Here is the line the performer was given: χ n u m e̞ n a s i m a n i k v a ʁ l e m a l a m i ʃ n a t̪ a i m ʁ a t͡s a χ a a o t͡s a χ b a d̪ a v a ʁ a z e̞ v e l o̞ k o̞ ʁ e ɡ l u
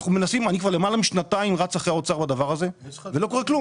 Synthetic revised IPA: χ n u m e̞ n a s i m a n i k v a ʁ l e m a l a m i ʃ n a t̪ a i m ʁ a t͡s a χ e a o t͡s a ʁ b a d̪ a v a ʁ a z e̞ v e l o̞ k o̞ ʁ e k l u

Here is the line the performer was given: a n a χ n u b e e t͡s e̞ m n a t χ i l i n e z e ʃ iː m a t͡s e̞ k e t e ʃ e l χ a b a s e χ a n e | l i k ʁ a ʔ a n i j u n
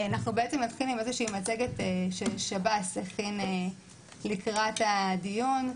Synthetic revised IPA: a n a χ n u b e e t͡s e̞ m n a t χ i l i m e z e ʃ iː m a t͡s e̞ ɡ e t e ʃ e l ʃ a b a s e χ i n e | l i k ʁ a t a d i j u n

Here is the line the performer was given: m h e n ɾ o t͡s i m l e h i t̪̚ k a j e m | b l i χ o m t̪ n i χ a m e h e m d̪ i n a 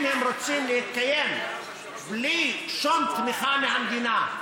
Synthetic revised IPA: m h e m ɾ o t͡s i m l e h i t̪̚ k a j e m | b l i ʃ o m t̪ m i χ a m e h a m d̪ i n a

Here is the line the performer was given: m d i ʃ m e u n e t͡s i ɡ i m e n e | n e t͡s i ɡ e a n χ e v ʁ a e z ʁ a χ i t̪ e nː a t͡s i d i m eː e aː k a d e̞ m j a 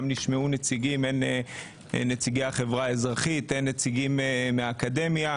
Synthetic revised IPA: m n i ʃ m e u n e t͡s i ɡ i m e n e | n e t͡s i ɡ e a χ e v ʁ a e z ʁ a χ i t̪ e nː e t͡s i ɡ i m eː e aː k a d e̞ m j a

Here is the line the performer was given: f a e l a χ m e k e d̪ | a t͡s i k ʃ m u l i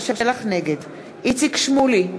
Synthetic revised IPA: ʃ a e l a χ n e ɡ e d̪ | i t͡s i k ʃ m u l i

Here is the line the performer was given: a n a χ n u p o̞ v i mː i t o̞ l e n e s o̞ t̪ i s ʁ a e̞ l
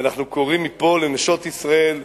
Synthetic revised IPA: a n a χ n u k o̞ ʁ i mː i p o̞ l e n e ʃ o̞ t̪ i s ʁ a e̞ l

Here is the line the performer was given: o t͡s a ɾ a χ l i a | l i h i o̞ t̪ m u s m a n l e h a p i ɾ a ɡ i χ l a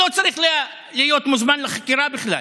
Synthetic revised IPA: o t͡s a ɾ i χ l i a | l i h j o̞ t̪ m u z m a n l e χ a k i ɾ a b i χ l a

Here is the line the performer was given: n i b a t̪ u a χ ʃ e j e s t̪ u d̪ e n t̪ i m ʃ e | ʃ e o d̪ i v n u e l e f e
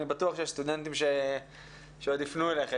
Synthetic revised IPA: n i b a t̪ u a χ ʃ e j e s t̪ u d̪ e n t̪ i m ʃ e | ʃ e o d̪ i f n u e l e χ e

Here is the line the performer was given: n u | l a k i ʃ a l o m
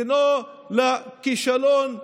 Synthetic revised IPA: n o | l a k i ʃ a l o n

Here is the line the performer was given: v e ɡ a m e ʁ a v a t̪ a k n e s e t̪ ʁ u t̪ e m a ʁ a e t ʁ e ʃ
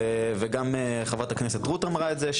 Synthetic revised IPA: v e ɡ a m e χ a v a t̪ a k n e s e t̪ ʁ u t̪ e m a ʁ a e t z e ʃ

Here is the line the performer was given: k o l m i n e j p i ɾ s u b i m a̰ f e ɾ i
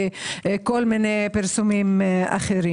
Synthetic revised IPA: k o l m i n e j p i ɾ s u m i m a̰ χ e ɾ i

